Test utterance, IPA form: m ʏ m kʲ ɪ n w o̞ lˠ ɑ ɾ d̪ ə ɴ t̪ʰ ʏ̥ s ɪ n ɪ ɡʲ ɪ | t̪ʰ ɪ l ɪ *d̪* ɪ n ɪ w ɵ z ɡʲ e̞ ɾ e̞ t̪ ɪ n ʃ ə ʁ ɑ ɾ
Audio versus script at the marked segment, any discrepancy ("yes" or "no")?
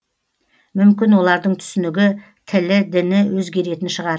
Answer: no